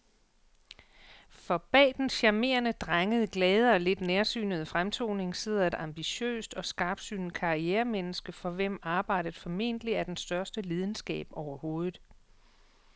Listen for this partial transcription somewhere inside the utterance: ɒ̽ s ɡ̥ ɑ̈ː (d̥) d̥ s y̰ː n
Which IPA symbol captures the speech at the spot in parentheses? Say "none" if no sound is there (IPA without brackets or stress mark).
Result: b̥